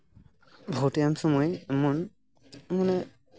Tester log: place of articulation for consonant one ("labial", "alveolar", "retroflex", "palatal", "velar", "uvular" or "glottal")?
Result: labial